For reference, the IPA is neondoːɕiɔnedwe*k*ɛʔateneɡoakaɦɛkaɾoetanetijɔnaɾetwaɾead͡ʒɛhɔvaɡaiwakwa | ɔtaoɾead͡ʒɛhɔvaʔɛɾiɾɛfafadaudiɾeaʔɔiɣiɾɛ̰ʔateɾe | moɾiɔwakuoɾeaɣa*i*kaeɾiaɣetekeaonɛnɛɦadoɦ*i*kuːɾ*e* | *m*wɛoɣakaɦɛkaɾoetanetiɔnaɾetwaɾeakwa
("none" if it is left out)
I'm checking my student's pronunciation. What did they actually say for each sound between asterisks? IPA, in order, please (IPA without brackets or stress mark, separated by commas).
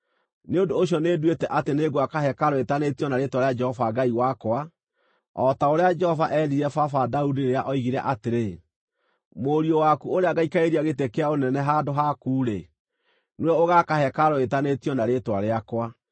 t, i, a, e, n